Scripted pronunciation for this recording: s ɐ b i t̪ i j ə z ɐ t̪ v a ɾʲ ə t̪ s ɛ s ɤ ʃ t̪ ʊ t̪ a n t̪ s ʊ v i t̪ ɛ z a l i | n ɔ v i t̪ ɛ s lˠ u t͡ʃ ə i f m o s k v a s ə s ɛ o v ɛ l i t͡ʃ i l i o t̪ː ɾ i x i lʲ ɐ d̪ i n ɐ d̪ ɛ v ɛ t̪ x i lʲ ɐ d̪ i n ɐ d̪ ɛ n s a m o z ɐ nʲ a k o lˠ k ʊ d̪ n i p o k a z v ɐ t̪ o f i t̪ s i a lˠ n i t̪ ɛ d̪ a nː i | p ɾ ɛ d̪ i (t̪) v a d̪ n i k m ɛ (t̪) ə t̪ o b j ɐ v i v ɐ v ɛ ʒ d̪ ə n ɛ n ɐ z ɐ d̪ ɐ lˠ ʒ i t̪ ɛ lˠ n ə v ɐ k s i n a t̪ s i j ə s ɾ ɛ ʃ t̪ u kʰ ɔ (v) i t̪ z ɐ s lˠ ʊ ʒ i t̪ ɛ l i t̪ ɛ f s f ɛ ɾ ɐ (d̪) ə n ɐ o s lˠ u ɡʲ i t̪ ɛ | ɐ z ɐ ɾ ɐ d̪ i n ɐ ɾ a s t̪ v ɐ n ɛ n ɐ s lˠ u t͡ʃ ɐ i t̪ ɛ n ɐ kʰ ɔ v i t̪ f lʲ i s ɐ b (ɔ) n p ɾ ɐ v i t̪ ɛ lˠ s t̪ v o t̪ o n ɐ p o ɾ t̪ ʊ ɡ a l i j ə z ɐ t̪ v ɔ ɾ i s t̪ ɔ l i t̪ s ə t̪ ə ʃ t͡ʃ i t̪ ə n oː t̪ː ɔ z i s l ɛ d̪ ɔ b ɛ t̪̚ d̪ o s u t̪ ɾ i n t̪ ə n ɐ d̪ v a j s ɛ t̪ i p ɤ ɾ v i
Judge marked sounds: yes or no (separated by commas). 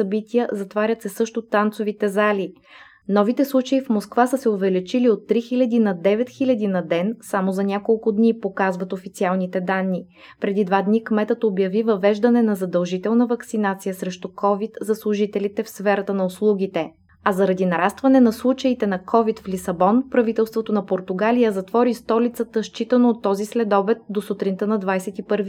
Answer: no, yes, yes, no, yes